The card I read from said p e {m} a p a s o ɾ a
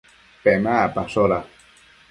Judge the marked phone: correct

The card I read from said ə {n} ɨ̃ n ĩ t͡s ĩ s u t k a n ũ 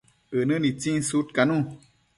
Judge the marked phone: correct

